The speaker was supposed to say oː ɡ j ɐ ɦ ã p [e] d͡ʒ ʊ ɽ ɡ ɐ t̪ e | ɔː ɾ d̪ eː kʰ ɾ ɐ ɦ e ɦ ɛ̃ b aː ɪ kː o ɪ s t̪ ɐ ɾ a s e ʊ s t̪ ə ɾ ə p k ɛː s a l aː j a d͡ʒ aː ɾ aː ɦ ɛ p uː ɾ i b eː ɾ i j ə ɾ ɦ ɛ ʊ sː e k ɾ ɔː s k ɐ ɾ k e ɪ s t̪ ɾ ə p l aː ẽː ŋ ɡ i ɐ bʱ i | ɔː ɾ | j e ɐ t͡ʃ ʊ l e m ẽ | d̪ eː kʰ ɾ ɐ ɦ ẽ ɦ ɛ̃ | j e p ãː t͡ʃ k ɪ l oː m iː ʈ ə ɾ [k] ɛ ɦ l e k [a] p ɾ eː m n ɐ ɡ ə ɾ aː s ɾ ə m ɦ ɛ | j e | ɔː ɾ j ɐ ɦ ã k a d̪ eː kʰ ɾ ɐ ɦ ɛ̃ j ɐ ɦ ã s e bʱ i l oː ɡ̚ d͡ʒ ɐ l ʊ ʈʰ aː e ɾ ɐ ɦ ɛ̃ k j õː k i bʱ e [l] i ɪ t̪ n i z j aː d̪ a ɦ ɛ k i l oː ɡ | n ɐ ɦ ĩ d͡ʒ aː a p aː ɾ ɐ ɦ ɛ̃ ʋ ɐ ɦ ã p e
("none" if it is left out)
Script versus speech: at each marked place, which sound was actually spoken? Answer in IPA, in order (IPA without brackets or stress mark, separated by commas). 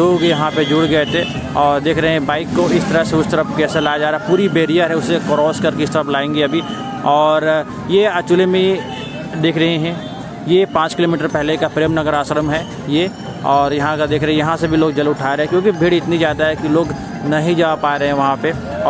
e, p, a, ɽ